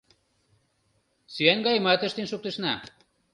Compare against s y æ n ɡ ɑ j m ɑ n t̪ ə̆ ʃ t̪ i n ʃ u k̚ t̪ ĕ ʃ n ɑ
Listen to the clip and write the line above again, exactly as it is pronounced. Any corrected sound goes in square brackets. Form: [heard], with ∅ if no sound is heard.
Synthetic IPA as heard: s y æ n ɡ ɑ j m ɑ [∅] t̪ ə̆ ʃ t̪ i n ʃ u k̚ t̪ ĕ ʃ n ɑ